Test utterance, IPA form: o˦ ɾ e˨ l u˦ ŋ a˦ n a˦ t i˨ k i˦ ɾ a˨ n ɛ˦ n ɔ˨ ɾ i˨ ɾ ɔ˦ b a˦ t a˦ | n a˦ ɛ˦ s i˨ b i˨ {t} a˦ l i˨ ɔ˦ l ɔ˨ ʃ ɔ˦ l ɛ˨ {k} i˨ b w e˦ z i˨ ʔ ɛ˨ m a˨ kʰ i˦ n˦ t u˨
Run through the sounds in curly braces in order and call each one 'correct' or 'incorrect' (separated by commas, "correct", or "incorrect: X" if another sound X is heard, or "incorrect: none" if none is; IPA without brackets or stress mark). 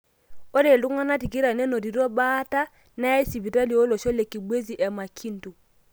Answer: correct, correct